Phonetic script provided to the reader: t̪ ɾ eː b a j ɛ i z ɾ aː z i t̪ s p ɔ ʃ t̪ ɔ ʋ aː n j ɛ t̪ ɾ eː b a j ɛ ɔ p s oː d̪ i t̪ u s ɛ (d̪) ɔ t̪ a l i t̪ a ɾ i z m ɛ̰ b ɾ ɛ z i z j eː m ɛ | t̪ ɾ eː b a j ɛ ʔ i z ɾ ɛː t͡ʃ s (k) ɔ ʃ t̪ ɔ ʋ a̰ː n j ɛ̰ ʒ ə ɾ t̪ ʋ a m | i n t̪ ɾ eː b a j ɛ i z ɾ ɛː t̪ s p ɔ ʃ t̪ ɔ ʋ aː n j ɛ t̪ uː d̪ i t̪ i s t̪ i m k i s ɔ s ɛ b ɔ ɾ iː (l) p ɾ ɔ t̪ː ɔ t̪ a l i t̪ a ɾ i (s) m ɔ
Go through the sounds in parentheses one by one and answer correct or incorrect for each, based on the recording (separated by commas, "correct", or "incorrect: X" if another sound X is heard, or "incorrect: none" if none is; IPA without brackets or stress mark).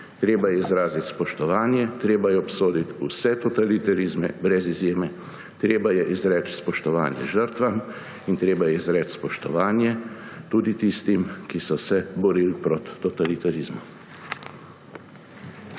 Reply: incorrect: t̪, incorrect: p, correct, incorrect: z